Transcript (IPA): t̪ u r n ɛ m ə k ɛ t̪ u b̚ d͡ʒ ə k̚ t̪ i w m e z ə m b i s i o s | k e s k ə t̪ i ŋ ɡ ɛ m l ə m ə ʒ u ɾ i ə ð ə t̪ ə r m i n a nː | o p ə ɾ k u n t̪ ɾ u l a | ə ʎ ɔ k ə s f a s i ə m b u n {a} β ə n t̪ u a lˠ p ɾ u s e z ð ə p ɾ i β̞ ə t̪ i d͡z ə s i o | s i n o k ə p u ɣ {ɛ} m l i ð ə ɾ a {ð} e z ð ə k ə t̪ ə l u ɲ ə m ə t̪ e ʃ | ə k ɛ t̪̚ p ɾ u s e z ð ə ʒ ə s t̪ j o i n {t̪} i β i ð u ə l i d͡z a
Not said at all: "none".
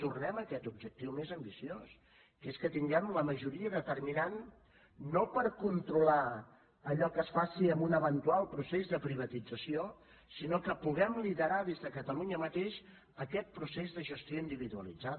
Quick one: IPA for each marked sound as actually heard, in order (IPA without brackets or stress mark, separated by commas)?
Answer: ə, ɛ, ð, d̪